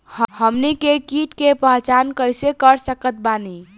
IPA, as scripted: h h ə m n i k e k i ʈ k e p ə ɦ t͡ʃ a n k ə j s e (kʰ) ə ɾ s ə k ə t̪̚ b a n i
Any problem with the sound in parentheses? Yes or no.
yes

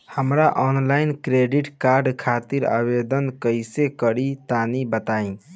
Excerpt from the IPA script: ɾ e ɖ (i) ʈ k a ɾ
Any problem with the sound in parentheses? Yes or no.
no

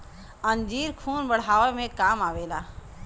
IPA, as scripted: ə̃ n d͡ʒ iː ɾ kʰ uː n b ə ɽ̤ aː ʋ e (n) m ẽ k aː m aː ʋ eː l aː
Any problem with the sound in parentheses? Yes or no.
yes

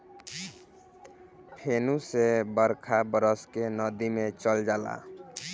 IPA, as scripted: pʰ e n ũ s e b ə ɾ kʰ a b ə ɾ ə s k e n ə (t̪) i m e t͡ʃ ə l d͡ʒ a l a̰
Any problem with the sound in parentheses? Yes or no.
yes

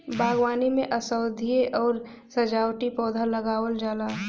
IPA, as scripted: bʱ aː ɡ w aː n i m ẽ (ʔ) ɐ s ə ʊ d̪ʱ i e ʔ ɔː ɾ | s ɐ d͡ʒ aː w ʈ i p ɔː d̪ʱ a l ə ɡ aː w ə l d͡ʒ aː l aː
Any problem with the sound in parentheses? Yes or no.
no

